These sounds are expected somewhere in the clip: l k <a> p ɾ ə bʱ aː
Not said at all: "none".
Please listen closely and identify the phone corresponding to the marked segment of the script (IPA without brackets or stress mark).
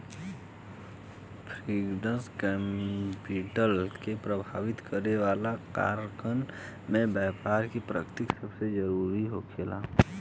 e